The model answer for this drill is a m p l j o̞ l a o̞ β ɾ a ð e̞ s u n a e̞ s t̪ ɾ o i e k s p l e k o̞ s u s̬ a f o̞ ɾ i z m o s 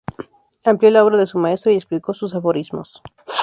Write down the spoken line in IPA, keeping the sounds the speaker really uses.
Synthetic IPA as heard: a m p l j o̞ l a o̞ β ɾ a ð e̞ s u m a e̞ s t̪ ɾ o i e k s p l i k o̞ s u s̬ a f o̞ ɾ i z m o s

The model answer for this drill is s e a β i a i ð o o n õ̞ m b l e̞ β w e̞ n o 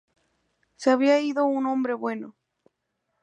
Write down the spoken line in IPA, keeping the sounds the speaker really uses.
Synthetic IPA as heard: s e a β i a i ð o u n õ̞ m b ɾ e̞ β w e̞ n o

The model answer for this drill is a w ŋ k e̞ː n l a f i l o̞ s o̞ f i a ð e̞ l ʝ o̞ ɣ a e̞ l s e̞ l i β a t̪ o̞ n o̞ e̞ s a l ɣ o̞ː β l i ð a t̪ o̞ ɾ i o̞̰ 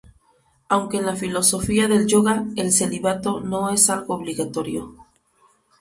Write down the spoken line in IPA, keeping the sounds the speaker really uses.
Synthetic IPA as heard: a w ŋ k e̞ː n l a f i l o̞ s o̞ f i a ð e̞ l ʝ o̞ ɣ a e̞ l s e̞ l i β a t̪ o̞ n o̞ e̞ s a l ɣ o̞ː β l i ɣ a t̪ o̞ ɾ j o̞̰

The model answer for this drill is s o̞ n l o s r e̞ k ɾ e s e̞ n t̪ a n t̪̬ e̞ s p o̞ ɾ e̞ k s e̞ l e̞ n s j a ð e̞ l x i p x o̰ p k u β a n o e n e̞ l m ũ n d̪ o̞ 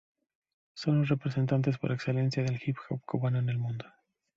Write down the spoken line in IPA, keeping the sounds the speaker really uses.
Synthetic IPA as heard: s o̞ n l o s r e̞ p ɾ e s e̞ n t̪ a n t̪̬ e̞ s p o̞ ɾ e̞ k s e̞ l e̞ n s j a ð e̞ l x i p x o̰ p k u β a n o e n e̞ l m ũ n d̪ o̞

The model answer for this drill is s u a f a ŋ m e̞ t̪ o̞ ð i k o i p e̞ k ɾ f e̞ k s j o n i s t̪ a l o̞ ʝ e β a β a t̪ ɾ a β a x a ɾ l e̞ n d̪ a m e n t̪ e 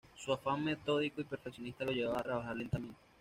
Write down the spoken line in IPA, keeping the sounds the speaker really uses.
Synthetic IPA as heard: s u a f a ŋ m e̞ t̪ o̞ ð i k o i p e̞ ɾ f e̞ k s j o n i s t̪ a l o̞ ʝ e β a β a t̪ ɾ a β a x a ɾ l e̞ n t̪ a m e n t̪ e

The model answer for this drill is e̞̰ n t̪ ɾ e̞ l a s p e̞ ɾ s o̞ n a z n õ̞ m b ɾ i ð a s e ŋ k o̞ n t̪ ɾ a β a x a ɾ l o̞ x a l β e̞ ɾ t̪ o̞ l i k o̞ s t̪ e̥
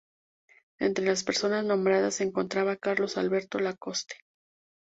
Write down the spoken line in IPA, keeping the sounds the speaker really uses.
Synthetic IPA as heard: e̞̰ n t̪ ɾ e̞ l a s p e̞ ɾ s o̞ n a z n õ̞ m b ɾ a ð a s e ŋ k o̞ n t̪ ɾ a β a k a ɾ l o̞ s a l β e̞ ɾ t̪ o̞ l a k o̞ s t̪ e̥

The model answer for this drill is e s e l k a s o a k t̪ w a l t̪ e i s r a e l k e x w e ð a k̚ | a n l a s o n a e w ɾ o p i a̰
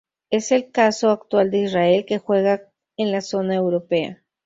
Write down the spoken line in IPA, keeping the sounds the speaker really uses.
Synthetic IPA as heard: e s e l k a s o a k t̪ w a l d̪ e i s r a e l k e x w e ɣ a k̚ | e n l a s o n a e w ɾ o p e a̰

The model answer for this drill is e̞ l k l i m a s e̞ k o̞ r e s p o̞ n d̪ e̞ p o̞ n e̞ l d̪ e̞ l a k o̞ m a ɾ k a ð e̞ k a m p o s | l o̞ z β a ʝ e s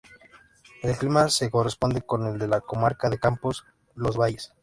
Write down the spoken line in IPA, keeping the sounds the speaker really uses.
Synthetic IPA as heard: e̞ l k l i m a s e̞ k o̞ r e s p o̞ n d̪ e̞ k o̞ n e̞ l d̪ e̞ l a k o̞ m a ɾ k a ð e̞ k a m p o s | l o̞ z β a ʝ e s

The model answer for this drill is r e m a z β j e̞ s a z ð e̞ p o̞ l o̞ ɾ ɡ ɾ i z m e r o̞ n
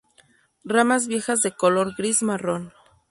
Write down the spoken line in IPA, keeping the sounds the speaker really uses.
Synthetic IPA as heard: r a m a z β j e̞ x a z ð e̞ k o̞ l o̞ ɾ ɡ ɾ i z m a r o̞ n

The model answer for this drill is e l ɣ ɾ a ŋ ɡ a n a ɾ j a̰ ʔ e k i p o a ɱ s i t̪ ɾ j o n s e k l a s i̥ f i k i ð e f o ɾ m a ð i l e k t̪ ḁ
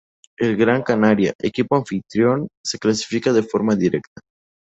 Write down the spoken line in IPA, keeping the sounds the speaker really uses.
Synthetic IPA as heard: e l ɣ ɾ a ŋ k a n a ɾ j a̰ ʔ e k i p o a ɱ f i t̪ ɾ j o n s e k l a s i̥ f i k a ð e f o ɾ m a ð i ɾ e k t̪ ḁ

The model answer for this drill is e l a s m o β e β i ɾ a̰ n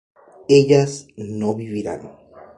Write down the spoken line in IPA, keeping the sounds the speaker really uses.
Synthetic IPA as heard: e ʎ a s n o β i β i ɾ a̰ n

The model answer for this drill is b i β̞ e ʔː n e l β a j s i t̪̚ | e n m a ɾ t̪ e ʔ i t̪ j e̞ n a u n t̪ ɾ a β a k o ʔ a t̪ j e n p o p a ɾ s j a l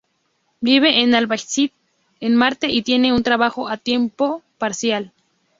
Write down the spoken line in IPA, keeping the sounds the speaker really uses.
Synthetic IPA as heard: b i β̞ e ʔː n a l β a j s i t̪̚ | e n m a ɾ t̪ e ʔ i t̪ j e̞ n e u n t̪ ɾ a β a x o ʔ a t̪ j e m p o p a ɾ s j a l

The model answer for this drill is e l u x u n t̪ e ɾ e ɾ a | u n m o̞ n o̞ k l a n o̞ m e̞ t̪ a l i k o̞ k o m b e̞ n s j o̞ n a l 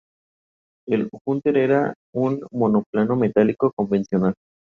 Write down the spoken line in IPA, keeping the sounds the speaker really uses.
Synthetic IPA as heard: e l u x u n t̪ e ɾ e ɾ a | u n m o̞ n o̞ p l a n o̞ m e̞ t̪ a l i k o̞ k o m b e̞ n s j o̞ n a l

